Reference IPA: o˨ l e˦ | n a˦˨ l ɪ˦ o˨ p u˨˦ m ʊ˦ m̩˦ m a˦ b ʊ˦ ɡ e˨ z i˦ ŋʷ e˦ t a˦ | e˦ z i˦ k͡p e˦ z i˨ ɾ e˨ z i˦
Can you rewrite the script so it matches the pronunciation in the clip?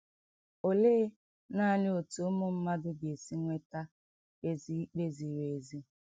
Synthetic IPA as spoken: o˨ l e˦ | n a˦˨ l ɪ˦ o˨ t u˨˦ m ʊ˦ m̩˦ m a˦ d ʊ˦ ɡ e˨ s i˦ ŋʷ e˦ t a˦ | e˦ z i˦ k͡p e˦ z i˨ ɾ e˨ z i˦